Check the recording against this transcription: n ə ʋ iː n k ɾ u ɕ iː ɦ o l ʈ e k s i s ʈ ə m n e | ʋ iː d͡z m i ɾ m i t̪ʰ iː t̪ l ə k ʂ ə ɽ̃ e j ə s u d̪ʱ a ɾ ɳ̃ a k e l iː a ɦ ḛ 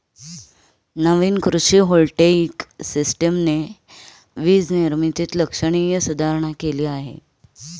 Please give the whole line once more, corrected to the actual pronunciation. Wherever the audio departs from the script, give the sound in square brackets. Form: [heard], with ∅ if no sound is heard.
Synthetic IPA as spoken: n ə ʋ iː n k ɾ u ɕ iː ɦ o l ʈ e k s i s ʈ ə m n e | ʋ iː d͡z [n] i ɾ m i [t̪] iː t̪ l ə k ʂ ə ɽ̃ [i] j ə s u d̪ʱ a ɾ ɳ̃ a k e l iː a ɦ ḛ